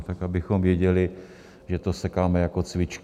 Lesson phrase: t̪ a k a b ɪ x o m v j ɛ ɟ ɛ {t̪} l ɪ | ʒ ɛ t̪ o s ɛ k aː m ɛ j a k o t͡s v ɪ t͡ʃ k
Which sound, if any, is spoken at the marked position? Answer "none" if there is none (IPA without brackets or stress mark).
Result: none